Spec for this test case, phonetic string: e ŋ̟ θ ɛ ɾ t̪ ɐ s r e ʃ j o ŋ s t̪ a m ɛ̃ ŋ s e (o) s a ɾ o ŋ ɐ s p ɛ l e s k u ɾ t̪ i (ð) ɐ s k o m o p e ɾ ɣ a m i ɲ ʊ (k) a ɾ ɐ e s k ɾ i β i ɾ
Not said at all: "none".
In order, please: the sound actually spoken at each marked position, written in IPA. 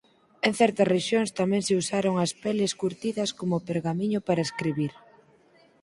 u, ð, p

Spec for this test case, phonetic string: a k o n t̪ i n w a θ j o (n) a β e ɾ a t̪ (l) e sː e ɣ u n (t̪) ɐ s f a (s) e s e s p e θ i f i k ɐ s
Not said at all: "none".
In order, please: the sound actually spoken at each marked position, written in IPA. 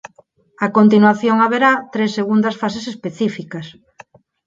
ŋ, ɾ, d̪, s

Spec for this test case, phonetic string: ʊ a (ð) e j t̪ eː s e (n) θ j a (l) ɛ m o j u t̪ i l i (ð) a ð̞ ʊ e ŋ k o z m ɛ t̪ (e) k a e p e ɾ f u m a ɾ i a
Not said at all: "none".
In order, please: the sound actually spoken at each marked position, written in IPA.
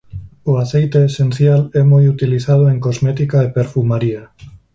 θ, n, l, θ, i

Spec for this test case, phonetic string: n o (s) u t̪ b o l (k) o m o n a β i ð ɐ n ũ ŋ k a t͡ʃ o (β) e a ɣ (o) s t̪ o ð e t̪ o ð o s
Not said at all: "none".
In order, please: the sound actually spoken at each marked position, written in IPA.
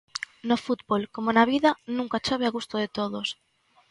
f, k, β, u

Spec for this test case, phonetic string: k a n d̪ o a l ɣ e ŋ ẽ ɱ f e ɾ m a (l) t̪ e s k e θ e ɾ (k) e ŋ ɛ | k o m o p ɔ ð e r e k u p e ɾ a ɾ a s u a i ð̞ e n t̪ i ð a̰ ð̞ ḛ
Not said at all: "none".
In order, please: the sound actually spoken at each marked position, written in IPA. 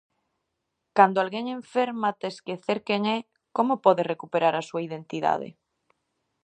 none, k

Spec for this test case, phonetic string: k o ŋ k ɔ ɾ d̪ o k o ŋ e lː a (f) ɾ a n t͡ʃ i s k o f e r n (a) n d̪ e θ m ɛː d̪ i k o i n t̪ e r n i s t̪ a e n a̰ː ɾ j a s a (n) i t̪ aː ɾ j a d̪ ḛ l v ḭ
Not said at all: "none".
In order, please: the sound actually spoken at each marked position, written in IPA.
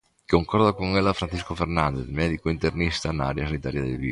f, a, n

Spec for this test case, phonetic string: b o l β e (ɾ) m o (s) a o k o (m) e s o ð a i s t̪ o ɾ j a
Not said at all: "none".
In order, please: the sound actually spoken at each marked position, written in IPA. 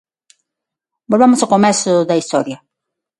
none, s, m

